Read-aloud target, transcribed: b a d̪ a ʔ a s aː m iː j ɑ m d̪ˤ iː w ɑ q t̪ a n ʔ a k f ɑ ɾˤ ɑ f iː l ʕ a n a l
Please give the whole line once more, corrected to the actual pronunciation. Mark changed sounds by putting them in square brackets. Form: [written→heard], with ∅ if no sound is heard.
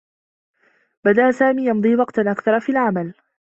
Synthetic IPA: b a d̪ a ʔ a s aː m iː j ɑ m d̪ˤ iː w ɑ q t̪ a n ʔ a k [f→θ] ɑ ɾˤ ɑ f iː l ʕ a [n→m] a l